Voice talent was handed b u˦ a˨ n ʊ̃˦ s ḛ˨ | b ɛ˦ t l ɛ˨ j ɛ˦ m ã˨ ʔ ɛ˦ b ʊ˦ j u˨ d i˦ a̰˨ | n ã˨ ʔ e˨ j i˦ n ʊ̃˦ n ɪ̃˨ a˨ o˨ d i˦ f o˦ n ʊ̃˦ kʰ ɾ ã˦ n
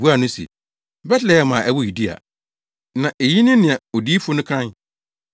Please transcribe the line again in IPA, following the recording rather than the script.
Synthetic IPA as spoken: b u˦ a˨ n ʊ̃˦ s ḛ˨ | b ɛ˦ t l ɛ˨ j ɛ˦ m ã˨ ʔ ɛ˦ w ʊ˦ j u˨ d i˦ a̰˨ | n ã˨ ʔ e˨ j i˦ n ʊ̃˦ n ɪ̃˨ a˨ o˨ d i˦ f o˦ n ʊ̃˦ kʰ ɾ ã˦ n

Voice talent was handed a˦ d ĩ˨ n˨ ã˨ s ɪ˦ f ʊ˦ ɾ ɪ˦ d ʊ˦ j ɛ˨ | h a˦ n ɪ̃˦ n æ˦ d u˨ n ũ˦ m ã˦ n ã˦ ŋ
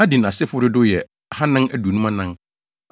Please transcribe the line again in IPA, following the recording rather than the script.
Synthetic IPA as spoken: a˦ d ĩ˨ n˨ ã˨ s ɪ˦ f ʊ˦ ɾ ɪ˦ d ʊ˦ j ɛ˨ | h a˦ n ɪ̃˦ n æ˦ d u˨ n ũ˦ m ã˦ n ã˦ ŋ

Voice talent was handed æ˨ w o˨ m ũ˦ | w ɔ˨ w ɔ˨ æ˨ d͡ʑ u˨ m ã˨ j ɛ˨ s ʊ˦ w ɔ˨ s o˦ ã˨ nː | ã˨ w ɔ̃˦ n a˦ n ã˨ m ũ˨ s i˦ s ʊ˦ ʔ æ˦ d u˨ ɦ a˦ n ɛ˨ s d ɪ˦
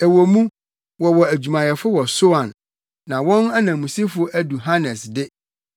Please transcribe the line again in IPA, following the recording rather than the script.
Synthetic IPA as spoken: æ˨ w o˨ m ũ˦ | w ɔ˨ w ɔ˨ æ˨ d͡ʑ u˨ m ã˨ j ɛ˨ f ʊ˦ w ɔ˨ s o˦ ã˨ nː | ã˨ w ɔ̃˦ n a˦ n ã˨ m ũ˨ s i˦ f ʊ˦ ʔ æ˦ d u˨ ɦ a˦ n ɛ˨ s d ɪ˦

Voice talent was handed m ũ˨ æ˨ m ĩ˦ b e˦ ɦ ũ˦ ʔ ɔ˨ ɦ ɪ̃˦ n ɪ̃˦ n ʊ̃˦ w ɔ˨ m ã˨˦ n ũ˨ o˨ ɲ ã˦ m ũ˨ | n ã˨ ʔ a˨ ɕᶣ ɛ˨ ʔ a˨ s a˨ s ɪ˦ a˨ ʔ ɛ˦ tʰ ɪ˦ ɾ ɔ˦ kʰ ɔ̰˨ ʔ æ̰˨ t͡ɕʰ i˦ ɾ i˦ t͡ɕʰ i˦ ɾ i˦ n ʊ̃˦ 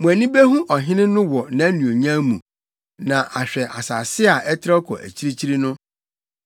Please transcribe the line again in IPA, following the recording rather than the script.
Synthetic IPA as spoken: m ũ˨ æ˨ n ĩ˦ b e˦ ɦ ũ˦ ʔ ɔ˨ ɦ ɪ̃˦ n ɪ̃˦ n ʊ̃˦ w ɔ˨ n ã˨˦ n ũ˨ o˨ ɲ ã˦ m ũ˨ | n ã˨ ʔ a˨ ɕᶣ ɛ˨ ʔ a˨ s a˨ s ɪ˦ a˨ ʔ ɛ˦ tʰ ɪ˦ ɾ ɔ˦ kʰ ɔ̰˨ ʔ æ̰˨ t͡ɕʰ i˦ ɾ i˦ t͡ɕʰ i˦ ɾ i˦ n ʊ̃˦

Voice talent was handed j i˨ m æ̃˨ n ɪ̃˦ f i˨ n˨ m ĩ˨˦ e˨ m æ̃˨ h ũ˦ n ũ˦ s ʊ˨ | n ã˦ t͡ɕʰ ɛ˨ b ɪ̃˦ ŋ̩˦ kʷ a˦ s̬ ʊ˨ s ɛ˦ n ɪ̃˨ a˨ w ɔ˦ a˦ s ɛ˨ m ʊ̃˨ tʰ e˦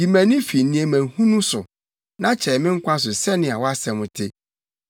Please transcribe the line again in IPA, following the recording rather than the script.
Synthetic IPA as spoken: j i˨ m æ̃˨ n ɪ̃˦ f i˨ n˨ n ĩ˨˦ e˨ m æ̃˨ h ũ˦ n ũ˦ s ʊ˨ | n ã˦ t͡ɕʰ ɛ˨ m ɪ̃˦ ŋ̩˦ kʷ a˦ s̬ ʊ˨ s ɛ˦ n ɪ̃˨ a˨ w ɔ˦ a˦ s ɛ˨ m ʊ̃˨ tʰ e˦

